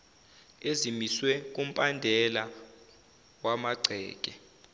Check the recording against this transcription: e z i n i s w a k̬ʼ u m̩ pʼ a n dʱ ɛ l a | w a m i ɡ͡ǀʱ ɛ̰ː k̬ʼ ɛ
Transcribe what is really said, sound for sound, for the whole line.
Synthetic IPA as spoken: e z i m i s w ɛ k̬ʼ u m̩ pʼ a n dʱ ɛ l a | w a m a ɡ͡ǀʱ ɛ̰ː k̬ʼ ɛ